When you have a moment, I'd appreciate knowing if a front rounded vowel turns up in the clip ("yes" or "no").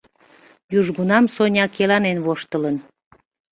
no